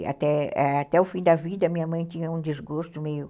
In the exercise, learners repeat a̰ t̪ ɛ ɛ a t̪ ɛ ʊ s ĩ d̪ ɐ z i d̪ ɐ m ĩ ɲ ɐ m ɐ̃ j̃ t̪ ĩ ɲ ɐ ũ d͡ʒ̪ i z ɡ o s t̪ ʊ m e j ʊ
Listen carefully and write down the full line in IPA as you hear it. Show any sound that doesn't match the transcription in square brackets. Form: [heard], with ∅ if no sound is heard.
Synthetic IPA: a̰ t̪ ɛ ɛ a t̪ ɛ ʊ [f] ĩ d̪ ɐ [v] i d̪ ɐ m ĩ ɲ ɐ m ɐ̃ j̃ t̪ ĩ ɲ ɐ ũ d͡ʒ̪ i z ɡ o s t̪ ʊ m e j ʊ